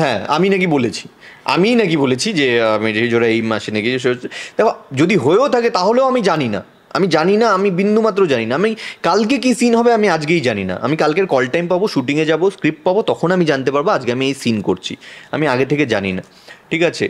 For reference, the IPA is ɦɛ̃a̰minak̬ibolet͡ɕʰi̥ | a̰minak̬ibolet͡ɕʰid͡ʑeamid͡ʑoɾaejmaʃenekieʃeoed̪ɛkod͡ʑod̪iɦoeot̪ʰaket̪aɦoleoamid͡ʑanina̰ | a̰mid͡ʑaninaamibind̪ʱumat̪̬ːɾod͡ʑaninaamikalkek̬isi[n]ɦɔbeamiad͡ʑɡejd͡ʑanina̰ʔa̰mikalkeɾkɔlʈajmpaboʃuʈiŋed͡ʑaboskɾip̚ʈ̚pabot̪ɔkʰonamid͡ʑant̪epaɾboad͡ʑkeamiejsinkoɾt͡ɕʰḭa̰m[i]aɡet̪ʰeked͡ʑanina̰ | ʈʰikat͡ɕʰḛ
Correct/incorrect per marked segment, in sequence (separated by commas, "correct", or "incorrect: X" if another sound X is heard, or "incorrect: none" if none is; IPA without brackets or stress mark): correct, correct